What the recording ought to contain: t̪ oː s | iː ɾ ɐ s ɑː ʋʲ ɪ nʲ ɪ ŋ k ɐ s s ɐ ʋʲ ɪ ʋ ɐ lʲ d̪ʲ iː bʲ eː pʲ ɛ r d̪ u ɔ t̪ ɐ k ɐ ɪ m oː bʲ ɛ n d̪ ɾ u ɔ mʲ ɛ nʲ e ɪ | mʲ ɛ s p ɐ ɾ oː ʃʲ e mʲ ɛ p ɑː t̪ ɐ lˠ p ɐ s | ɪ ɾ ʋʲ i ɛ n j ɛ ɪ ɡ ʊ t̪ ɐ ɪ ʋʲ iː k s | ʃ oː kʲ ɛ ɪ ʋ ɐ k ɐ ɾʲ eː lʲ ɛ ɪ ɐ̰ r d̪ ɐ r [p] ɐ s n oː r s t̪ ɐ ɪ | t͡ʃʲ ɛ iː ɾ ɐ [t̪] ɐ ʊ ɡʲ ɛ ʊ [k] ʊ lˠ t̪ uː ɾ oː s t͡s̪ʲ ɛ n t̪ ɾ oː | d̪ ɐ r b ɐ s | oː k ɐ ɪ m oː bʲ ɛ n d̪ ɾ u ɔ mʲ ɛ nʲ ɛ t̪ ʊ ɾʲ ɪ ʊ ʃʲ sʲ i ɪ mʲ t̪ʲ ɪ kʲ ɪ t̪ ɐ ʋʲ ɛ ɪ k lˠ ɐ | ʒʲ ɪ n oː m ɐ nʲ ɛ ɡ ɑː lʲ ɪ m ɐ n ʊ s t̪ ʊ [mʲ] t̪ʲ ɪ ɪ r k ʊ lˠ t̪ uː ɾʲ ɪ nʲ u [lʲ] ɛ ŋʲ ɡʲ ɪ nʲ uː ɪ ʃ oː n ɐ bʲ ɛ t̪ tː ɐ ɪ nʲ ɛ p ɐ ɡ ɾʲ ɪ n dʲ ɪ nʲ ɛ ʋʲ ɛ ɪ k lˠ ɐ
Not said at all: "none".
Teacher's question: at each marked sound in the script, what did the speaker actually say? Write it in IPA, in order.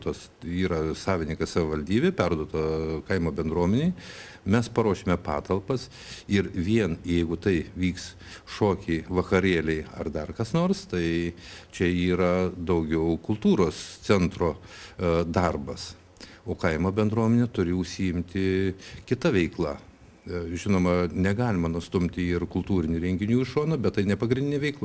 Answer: k, d̪, k, mʲ, ɾʲ

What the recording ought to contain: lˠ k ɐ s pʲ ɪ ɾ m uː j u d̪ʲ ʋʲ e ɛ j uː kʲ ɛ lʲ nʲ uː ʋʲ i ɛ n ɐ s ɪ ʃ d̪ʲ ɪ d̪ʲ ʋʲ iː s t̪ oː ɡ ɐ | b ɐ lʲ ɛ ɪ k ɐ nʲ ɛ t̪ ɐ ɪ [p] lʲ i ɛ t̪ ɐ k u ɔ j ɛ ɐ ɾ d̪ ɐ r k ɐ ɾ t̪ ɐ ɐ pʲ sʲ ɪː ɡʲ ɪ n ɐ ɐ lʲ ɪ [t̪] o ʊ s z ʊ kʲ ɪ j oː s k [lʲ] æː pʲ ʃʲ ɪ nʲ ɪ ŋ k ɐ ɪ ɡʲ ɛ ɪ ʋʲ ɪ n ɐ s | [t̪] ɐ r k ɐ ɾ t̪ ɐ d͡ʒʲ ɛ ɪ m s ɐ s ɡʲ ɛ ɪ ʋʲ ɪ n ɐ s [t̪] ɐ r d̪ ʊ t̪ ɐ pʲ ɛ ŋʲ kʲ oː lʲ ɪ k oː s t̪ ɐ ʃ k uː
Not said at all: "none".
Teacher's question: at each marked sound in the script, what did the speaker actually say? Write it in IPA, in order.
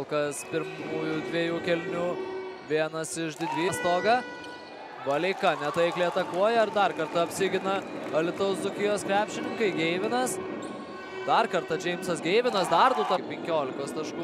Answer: k, t̪, ɾʲ, d̪, d̪

